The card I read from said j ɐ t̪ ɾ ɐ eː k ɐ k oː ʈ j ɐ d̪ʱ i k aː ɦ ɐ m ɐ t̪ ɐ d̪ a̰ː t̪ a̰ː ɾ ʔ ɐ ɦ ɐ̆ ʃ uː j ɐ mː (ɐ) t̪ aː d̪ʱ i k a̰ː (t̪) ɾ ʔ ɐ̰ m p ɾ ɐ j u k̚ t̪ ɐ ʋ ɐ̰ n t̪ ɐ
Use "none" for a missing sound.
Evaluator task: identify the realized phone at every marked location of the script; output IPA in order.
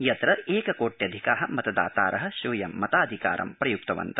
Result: ɐ, none

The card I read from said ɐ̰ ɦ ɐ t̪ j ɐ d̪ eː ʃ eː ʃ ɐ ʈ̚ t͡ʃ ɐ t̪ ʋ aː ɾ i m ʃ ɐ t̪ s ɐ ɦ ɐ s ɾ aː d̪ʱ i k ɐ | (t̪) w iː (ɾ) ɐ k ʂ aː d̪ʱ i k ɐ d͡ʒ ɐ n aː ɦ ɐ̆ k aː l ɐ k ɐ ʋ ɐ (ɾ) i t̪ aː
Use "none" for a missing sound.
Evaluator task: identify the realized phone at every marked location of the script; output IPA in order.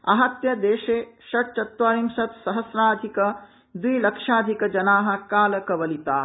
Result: d̪, l, l

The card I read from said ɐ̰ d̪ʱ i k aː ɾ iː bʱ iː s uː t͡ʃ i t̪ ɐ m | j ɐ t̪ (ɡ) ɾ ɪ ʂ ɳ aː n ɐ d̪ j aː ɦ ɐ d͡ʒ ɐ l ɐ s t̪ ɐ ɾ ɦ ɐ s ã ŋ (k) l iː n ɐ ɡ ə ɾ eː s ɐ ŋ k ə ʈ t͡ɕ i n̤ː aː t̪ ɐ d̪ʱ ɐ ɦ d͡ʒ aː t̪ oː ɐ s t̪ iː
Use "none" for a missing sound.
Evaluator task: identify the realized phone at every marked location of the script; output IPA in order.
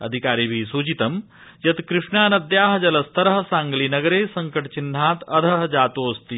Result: k, ɡ

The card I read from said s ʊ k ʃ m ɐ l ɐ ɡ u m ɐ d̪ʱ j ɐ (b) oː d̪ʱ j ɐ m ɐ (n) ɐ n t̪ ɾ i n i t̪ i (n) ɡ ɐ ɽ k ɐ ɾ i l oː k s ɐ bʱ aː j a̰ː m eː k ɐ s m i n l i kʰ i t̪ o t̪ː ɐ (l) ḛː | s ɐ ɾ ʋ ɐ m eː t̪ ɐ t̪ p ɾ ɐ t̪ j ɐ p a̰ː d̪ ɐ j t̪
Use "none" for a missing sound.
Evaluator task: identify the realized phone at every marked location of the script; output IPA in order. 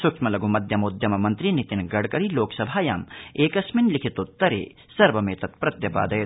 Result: m, m, n, ɾ

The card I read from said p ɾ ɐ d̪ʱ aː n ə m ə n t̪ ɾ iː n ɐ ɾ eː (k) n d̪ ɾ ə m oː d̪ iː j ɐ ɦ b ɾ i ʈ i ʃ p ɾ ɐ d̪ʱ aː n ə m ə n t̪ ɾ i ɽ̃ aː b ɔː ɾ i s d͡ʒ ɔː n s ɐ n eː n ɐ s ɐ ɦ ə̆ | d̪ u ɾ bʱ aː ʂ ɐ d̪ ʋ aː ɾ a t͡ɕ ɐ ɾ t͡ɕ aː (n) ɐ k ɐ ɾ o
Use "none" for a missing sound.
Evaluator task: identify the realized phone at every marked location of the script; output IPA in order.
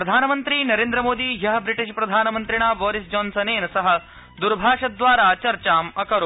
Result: none, m

